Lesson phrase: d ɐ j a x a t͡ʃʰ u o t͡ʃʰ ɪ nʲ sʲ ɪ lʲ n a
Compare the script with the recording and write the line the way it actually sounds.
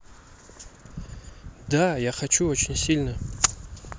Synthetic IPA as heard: d a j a χ a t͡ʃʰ u o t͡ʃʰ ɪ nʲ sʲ i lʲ n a

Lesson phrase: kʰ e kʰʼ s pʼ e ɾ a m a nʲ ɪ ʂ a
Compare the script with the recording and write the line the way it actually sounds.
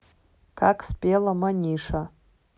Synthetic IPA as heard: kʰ a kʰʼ s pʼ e l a m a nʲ i ʂ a

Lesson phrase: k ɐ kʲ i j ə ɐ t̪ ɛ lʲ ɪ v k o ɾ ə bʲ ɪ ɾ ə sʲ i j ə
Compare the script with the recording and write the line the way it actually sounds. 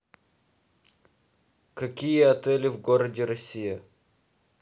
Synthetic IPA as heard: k ɐ kʲ i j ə ɐ t̪ ɛ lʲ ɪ v ɡ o ɾ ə dʲ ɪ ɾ ɐ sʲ i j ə

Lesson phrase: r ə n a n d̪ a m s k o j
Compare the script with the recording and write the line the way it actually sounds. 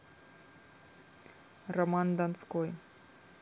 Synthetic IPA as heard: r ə m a n d̪ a n s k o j

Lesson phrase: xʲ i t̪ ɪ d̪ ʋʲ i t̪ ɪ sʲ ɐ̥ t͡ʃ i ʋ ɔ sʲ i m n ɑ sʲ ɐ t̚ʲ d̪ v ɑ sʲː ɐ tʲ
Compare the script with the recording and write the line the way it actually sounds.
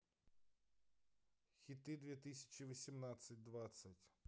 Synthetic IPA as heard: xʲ i t̪ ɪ d̪ ʋʲ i t̪ ɪ sʲ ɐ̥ t͡ʃ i ʋ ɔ sʲ i m n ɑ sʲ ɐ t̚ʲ d̪ ʋ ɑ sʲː ɐ tʲ

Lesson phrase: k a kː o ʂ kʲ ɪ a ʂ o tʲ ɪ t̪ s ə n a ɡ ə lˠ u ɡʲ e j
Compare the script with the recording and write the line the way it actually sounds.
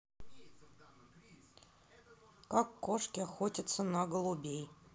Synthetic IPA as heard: k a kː o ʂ kʲ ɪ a x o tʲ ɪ t̪ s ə n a ɡ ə lˠ u bʲ e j

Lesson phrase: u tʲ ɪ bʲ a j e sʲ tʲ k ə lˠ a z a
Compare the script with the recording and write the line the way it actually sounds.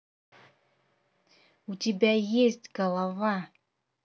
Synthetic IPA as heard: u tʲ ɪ bʲ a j e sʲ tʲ ɡ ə lˠ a v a

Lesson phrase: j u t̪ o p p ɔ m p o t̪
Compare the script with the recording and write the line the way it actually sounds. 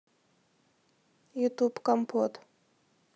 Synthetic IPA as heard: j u t̪ u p k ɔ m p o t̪

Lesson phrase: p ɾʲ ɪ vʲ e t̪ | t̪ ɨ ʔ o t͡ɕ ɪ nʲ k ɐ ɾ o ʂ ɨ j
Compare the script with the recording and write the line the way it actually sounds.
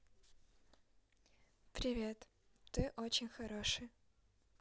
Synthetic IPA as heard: p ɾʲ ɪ vʲ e t̪ | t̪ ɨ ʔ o t͡ɕ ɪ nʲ x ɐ ɾ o ʂ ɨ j

